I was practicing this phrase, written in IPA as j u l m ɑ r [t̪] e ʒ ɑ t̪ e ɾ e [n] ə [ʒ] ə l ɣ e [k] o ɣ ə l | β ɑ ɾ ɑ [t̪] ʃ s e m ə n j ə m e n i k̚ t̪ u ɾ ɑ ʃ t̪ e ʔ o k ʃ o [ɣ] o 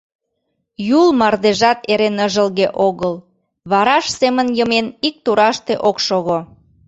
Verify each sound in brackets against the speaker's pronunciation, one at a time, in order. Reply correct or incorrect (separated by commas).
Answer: incorrect, correct, correct, incorrect, incorrect, correct